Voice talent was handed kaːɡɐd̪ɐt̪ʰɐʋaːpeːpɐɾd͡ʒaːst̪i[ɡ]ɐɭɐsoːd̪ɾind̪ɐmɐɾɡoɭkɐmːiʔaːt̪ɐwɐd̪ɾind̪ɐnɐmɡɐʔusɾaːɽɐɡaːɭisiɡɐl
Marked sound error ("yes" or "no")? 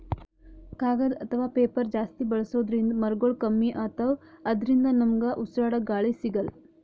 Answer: yes